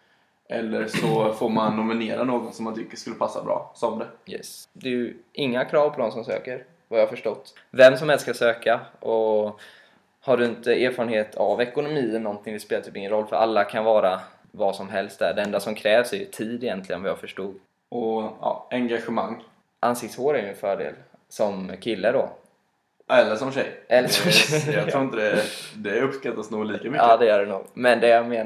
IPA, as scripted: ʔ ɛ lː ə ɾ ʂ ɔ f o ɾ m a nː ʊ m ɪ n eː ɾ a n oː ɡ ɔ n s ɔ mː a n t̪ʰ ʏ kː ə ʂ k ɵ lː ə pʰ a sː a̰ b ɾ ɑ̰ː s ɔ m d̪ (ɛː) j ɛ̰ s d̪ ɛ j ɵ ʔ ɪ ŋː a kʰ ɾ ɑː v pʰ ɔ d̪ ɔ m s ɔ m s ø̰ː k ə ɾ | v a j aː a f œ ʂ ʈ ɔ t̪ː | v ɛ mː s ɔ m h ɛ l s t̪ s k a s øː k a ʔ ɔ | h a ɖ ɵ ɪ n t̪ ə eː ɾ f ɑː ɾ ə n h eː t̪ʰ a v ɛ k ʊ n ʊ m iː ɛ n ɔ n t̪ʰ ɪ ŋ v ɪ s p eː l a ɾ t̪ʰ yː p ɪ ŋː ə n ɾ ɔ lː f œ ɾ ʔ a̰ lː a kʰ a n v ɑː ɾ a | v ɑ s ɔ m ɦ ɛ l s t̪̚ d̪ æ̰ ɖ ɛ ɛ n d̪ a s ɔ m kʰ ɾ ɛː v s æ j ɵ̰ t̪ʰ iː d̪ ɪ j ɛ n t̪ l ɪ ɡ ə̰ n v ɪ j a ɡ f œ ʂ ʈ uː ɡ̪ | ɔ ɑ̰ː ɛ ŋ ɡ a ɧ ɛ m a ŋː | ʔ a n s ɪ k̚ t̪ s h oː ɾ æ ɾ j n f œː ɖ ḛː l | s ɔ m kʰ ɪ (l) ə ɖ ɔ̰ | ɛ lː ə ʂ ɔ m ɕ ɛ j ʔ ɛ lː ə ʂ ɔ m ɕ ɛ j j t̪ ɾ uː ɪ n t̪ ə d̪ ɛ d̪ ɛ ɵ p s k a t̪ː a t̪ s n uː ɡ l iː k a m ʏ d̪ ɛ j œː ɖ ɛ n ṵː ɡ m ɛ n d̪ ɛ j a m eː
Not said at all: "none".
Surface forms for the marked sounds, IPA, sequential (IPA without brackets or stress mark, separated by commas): ɛ, lː